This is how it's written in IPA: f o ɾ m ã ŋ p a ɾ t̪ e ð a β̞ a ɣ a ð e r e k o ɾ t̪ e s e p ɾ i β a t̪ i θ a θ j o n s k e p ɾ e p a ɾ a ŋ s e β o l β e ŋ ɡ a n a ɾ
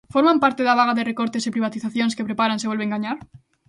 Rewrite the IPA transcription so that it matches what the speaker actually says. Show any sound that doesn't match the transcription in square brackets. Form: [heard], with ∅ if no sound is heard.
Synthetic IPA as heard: f o ɾ m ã [m] p a ɾ t̪ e ð a β̞ a ɣ a ð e r e k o ɾ t̪ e s e p ɾ i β a t̪ i θ a θ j o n s k e p ɾ e p a ɾ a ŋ s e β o l β e ŋ ɡ a [ɲ] a ɾ